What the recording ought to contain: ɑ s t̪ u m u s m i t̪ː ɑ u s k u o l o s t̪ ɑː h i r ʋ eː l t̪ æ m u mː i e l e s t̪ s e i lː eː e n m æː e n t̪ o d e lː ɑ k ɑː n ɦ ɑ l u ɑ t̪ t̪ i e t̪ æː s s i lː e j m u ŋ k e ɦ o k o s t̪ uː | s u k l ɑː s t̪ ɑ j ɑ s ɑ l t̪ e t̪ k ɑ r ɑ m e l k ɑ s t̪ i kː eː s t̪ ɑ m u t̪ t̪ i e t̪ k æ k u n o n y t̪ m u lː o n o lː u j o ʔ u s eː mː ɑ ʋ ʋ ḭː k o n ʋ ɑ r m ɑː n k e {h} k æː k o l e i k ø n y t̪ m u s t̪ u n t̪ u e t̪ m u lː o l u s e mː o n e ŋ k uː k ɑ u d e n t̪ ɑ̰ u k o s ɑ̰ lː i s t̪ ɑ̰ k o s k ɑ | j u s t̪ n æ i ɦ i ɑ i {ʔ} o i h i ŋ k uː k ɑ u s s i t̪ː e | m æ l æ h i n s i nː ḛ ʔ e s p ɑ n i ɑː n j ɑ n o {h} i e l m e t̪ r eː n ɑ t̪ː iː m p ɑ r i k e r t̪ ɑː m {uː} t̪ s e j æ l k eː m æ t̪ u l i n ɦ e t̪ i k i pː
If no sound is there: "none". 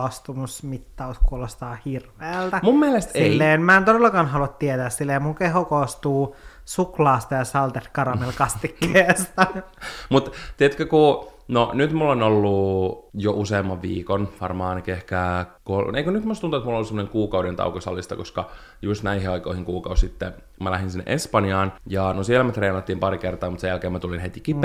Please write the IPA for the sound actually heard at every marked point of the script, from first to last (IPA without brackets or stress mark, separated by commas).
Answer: h, k, s, u